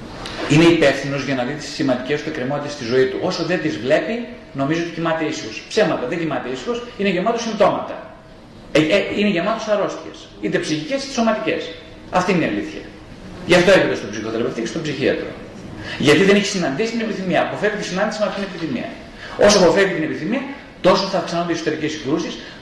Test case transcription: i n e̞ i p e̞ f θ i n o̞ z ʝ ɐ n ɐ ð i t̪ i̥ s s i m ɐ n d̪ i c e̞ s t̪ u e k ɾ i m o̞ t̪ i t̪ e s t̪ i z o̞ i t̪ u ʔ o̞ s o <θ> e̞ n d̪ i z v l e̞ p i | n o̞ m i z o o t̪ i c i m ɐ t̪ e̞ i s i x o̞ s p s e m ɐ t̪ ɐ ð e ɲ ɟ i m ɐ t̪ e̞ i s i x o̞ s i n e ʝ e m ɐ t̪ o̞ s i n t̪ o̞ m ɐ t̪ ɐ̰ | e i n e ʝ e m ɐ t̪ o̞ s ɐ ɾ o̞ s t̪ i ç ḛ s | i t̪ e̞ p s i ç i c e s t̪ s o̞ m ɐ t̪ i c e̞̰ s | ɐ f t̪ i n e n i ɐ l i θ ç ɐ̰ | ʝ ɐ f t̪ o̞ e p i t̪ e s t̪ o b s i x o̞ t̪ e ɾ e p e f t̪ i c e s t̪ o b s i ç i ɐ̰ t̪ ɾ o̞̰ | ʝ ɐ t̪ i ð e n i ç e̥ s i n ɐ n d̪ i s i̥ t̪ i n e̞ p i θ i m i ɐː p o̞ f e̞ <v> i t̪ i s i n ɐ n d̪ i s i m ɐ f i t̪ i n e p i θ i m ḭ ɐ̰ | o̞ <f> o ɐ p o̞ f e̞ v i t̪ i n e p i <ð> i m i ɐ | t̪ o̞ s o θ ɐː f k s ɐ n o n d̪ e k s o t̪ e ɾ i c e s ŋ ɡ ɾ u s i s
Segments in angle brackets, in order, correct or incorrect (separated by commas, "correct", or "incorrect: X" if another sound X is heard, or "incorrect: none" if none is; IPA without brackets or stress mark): incorrect: ð, correct, incorrect: s, incorrect: θ